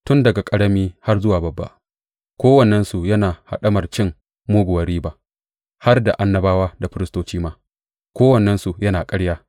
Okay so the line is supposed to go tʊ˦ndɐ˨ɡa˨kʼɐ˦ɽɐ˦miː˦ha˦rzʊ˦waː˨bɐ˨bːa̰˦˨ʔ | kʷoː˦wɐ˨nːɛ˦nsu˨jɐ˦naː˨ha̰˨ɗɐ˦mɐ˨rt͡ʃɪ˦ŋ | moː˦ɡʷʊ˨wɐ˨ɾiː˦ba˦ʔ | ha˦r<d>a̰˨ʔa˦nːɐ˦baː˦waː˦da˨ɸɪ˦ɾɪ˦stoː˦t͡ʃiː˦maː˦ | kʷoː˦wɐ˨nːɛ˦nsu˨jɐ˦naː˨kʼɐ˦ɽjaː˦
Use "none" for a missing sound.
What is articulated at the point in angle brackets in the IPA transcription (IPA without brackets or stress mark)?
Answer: d